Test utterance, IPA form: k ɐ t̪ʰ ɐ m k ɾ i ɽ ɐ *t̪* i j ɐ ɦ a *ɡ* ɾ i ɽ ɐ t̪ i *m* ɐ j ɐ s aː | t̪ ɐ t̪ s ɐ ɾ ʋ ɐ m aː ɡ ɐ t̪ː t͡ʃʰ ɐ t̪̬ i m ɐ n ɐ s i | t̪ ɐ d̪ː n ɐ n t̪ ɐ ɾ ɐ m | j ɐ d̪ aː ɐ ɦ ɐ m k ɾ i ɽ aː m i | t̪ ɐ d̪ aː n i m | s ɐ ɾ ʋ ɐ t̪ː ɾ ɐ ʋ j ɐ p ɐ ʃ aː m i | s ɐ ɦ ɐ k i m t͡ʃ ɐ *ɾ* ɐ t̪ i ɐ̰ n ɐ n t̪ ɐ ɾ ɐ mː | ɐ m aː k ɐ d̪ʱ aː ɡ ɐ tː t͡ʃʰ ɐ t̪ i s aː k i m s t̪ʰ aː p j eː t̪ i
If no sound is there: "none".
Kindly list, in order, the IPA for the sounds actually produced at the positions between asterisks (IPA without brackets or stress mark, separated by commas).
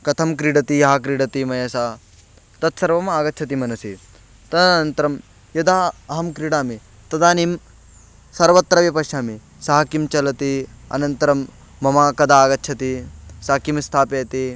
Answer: t̪, k, m, l